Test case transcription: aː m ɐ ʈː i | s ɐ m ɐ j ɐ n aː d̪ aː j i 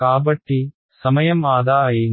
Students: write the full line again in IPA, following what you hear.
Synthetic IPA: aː b ɐ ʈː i | s ɐ m ɐ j ɐ m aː d̪ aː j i